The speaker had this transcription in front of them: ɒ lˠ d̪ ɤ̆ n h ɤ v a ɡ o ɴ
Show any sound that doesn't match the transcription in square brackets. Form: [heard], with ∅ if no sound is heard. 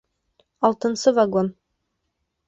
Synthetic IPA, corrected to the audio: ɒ lˠ [t̪] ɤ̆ n [s] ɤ v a ɡ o [n]